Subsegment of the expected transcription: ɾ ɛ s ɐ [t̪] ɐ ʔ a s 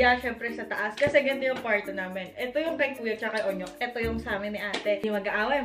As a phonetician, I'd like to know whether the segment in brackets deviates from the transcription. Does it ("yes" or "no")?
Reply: no